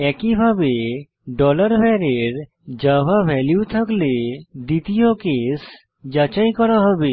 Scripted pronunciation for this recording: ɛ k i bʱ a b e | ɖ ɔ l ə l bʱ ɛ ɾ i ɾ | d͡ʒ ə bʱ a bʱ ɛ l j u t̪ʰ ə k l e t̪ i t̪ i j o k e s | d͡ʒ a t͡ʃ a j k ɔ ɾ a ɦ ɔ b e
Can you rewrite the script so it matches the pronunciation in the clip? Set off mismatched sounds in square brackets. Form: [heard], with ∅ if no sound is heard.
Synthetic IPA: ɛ k i bʱ a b e | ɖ ɔ l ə [ɾ] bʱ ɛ ɾ [e] ɾ | d͡ʒ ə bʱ a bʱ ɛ l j u t̪ʰ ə k l e [d̪] i t̪ i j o k e s | d͡ʒ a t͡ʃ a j k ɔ ɾ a ɦ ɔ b e